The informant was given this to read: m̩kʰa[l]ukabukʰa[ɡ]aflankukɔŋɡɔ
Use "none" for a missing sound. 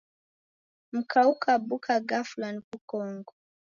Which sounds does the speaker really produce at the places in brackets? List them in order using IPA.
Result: none, ɡ

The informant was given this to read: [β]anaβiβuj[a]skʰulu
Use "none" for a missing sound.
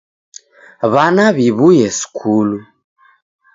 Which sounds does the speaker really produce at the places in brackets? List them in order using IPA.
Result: β, ɛ

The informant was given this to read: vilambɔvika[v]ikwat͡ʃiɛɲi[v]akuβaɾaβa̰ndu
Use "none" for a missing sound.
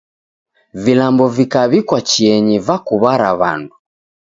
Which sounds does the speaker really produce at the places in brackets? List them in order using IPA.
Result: β, v

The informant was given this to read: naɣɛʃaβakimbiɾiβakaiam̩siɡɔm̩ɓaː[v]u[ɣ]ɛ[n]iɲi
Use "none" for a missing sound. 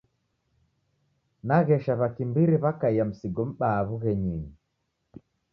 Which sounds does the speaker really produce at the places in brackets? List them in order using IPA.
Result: β, ɣ, ɲ

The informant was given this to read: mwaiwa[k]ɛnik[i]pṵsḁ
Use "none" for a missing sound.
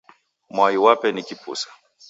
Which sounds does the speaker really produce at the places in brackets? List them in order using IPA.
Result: p, i

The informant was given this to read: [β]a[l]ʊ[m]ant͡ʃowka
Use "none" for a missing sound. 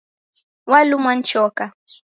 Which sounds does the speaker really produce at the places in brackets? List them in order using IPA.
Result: w, l, m

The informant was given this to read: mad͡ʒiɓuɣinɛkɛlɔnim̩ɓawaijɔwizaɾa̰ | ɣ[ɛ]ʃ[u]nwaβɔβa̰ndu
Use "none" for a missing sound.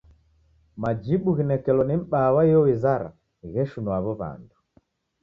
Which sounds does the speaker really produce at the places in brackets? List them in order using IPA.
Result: ɛ, u

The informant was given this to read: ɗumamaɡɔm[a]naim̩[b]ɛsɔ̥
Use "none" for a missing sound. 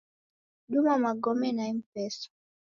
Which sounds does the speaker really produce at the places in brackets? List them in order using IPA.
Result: ɛ, p

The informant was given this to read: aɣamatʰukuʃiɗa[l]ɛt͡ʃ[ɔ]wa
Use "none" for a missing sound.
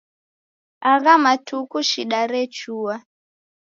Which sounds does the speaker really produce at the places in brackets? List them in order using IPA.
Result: ɾ, u

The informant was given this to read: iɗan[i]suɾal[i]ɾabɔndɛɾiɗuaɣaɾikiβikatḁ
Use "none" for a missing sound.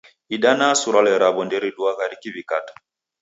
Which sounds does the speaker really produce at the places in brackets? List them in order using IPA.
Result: a, ɛ

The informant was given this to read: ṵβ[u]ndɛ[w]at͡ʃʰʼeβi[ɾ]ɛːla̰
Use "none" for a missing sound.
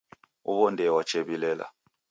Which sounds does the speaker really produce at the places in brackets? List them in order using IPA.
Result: ɔ, w, l

